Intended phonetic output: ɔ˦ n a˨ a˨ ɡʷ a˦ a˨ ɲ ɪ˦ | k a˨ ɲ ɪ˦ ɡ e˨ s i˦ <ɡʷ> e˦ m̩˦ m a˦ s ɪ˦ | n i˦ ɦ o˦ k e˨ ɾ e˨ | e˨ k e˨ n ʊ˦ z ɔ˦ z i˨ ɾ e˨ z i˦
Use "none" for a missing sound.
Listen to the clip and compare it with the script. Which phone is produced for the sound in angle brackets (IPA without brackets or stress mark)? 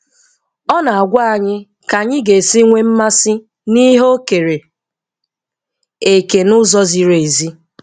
ŋʷ